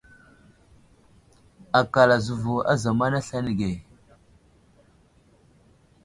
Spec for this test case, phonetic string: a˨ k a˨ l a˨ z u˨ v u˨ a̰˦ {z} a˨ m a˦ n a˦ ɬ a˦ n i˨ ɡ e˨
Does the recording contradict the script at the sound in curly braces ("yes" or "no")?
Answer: no